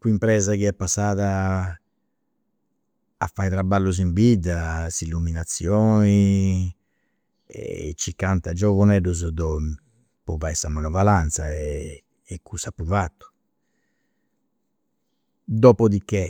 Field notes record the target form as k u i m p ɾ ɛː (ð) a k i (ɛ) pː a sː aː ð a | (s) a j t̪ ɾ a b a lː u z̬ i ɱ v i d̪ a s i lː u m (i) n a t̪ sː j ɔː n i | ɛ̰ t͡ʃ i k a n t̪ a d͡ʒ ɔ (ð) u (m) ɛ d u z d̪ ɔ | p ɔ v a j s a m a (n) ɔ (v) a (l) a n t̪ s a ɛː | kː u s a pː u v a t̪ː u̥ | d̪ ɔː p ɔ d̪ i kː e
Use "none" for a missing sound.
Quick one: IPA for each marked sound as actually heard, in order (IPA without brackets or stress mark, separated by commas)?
z, ɛ, f, i, v, n, n, v, l